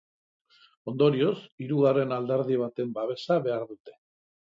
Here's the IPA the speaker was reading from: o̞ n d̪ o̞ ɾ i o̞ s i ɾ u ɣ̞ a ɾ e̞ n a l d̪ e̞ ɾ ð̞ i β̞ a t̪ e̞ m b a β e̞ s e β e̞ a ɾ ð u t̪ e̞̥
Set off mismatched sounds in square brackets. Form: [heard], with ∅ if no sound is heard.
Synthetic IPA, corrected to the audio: o̞ n d̪ o̞ ɾ i o̞ s i ɾ u ɣ̞ a [r] e̞ n a l d̪ e̞ ɾ ð̞ i β̞ a t̪ e̞ m b a β e̞ s [a] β e̞ a ɾ ð u t̪ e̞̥